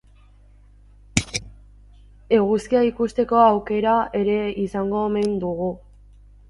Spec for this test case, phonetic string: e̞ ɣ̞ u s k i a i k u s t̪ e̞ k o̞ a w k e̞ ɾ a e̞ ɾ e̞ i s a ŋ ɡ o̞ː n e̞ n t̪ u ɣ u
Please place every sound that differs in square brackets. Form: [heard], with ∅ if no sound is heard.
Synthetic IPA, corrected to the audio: e̞ ɣ̞ u s k i a i k u s t̪ e̞ k o̞ a w k e̞ ɾ a e̞ ɾ e̞ i s a ŋ ɡ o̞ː [m] e̞ n [d̪] u ɣ u